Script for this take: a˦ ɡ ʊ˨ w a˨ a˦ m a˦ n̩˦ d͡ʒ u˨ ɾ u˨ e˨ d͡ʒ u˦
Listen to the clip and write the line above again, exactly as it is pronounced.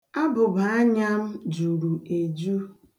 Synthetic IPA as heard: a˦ b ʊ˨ b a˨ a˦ ɲ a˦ m̩˦ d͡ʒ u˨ ɾ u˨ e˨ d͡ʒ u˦